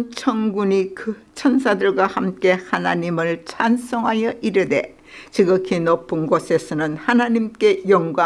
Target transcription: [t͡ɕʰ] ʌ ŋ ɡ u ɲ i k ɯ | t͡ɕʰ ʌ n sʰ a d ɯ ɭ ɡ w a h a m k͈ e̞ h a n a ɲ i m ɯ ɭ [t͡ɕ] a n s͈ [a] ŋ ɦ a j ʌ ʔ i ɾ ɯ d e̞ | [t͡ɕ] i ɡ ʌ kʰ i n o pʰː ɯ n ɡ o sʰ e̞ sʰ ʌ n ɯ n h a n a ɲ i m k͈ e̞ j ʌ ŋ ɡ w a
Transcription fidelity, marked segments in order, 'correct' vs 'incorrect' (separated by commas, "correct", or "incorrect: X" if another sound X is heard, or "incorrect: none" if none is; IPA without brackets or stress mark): correct, incorrect: t͡ɕʰ, incorrect: ʌ, correct